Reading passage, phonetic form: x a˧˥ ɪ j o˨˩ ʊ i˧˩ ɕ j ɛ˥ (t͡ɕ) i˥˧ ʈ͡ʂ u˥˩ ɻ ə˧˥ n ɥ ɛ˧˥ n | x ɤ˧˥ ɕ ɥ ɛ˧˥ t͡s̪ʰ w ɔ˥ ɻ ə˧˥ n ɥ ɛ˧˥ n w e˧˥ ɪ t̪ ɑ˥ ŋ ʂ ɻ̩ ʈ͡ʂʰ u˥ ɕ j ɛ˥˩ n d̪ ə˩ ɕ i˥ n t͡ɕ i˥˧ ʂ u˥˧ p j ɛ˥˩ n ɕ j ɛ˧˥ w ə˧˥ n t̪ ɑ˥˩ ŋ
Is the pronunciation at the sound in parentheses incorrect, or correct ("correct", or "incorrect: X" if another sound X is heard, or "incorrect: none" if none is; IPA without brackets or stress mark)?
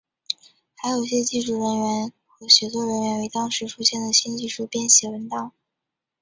correct